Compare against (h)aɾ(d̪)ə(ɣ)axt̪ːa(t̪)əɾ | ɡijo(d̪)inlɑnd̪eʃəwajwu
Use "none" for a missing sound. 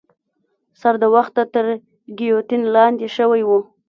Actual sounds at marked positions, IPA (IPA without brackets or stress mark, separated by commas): s, d̪, w, t̪, t̪